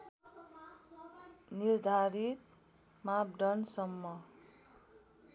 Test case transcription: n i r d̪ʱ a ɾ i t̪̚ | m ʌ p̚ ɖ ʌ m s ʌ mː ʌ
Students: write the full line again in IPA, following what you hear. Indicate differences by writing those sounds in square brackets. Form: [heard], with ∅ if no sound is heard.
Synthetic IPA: n i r d̪ʱ a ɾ i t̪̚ | m [a] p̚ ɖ ʌ [n] s ʌ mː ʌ